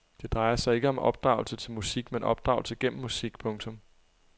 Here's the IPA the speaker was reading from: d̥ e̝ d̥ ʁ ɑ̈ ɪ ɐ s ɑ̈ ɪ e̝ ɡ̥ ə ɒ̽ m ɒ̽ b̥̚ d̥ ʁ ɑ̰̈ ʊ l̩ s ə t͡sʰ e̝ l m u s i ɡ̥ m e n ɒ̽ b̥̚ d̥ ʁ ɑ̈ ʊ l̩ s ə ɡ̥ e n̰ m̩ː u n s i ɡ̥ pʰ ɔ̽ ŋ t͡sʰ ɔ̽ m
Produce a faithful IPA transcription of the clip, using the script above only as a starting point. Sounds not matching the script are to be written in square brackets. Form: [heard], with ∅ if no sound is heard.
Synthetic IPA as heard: d̥ e̝ d̥ ʁ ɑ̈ ɪ ɐ s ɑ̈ ɪ e̝ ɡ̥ ə ɒ̽ m ɒ̽ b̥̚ d̥ ʁ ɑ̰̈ ʊ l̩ s ə t͡sʰ e̝ l m u s i ɡ̥ m e n ɒ̽ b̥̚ d̥ ʁ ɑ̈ ʊ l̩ s ə ɡ̥ e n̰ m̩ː u [∅] s i ɡ̥ pʰ ɔ̽ ŋ t͡sʰ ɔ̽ m